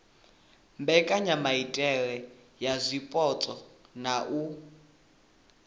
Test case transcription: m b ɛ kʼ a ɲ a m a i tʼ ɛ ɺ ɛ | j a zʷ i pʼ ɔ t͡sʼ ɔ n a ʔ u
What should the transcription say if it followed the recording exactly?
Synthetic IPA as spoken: m b ɛ kʼ a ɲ a m a i tʼ ɛ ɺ ɛ | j a zʷ i pʼ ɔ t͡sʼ ɔ n a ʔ u

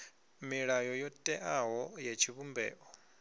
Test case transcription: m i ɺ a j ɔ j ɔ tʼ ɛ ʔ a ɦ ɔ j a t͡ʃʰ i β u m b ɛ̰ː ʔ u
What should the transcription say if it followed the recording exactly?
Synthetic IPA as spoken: m i ɺ a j ɔ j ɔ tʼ ɛ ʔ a ɦ ɔ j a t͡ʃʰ i β u m b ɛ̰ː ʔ ɔ

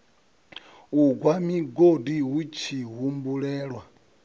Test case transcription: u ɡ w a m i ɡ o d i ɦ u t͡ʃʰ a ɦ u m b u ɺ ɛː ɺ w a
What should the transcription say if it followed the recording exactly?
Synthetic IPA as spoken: u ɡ w a m i ɡ o d i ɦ u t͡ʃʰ i ɦ u m b u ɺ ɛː ɺ w a

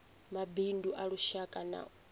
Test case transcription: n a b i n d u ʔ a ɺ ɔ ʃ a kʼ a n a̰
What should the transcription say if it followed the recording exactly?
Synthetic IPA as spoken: m a b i n d u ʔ a ɺ u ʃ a kʼ a n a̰

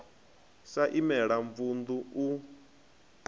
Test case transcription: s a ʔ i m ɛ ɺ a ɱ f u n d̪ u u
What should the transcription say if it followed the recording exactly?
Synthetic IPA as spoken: s a ʔ i m ɛ ɺ a ɱ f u n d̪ u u

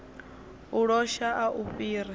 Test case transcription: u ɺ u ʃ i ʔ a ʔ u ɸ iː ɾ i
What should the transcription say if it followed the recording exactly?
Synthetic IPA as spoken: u ɺ ɔ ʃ a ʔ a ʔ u ɸ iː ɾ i

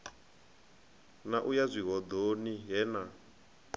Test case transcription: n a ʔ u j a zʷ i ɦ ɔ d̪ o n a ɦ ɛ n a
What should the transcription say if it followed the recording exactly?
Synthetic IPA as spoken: n a ʔ u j a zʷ i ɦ ɔ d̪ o n i ɦ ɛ n a

